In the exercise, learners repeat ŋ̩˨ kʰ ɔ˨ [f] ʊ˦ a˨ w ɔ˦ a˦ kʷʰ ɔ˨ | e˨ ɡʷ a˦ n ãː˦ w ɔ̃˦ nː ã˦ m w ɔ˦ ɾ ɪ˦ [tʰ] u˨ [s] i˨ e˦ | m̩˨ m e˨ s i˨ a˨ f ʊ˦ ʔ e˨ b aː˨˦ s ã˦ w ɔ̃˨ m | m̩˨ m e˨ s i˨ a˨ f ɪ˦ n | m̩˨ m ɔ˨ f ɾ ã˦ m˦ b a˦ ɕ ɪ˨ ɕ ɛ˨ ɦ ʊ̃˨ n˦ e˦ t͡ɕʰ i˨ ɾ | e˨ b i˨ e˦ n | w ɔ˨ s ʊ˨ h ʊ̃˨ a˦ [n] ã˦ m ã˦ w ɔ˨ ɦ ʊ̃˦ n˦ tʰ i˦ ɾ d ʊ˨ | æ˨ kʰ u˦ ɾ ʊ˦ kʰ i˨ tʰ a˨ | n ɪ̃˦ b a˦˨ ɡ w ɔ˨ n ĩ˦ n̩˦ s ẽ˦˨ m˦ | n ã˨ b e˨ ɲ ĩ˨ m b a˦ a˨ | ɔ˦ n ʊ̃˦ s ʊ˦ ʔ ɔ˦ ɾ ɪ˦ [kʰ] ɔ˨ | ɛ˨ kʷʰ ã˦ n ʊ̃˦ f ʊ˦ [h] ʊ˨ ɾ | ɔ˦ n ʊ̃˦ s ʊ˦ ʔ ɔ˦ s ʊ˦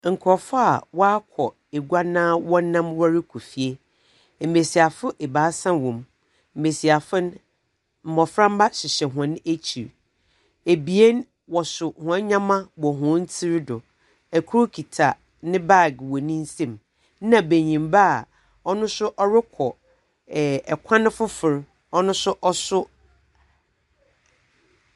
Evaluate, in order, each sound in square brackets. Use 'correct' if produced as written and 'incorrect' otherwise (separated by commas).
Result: correct, incorrect, incorrect, incorrect, correct, incorrect